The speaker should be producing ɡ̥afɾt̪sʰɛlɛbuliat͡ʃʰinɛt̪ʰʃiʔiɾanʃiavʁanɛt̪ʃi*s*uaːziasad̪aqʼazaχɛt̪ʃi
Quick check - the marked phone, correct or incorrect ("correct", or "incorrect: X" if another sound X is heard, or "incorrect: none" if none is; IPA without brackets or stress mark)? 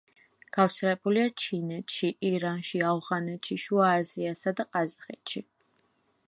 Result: incorrect: ʃ